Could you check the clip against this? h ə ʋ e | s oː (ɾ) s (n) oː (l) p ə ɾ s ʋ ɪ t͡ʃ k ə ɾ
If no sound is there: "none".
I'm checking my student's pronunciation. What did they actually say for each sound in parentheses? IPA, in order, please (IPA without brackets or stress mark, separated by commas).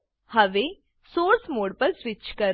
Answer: ɾ, m, ɽ